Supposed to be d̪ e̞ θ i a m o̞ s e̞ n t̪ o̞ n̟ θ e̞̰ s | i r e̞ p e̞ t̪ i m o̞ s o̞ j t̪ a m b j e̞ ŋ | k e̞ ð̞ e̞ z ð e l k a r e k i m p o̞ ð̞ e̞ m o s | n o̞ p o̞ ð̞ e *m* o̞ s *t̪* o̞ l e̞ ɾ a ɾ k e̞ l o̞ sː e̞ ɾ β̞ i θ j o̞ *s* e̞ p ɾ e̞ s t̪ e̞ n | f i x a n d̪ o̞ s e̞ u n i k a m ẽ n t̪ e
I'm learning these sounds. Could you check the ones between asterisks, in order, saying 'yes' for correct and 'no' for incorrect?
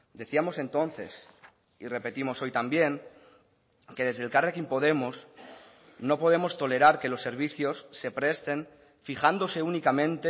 yes, yes, no

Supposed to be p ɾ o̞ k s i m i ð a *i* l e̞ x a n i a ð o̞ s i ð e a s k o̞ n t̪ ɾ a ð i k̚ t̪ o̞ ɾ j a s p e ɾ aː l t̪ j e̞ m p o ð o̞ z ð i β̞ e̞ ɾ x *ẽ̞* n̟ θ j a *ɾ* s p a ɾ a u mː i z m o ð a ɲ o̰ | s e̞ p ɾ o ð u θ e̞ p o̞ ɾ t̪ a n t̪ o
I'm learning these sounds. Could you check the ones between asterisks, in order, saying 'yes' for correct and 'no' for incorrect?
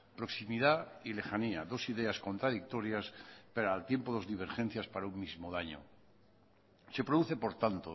yes, no, no

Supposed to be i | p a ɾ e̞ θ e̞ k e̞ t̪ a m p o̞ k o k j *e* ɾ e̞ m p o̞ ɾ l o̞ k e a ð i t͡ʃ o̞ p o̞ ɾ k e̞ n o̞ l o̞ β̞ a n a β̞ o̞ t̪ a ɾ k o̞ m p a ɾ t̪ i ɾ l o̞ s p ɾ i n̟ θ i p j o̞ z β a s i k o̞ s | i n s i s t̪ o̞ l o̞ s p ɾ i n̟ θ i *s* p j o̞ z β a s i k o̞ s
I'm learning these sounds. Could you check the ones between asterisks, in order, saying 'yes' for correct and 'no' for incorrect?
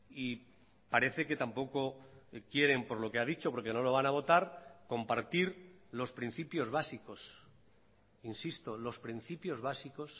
yes, no

